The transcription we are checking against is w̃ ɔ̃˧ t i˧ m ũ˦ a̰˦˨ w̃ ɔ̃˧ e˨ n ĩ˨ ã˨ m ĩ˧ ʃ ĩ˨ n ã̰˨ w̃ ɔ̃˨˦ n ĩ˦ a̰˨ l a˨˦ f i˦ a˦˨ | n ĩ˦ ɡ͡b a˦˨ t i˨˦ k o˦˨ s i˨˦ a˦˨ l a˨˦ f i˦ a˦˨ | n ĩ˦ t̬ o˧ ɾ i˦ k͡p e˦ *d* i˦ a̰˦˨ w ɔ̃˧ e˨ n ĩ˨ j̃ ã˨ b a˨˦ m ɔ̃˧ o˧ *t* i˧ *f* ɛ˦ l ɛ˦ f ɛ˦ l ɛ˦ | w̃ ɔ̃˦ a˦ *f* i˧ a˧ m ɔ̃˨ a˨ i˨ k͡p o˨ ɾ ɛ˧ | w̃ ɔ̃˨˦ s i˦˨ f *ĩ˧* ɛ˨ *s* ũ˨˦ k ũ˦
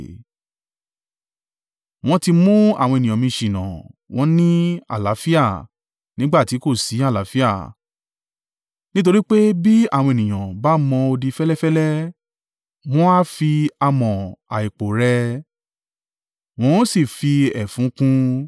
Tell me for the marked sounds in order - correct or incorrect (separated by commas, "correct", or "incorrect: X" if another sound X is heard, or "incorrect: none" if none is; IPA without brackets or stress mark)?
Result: incorrect: b, incorrect: d, correct, correct, incorrect: i˧, incorrect: f